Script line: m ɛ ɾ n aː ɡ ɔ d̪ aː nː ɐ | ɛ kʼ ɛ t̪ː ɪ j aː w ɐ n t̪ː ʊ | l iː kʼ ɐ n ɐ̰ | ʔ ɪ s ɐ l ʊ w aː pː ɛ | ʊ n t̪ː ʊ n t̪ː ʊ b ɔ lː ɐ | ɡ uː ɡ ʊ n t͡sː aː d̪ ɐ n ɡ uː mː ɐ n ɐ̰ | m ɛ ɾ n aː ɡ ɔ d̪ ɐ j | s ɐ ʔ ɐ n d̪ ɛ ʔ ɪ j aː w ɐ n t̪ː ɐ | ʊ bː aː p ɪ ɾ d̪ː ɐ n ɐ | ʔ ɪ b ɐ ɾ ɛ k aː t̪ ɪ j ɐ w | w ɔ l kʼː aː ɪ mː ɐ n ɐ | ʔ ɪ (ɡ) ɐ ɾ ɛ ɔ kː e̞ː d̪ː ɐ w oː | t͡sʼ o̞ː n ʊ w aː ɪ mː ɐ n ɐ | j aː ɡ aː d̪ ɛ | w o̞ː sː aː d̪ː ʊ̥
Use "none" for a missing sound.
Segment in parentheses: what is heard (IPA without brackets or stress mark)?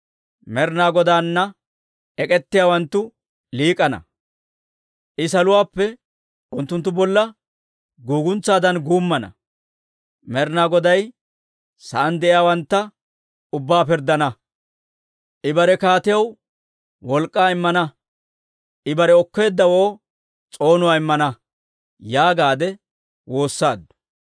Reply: b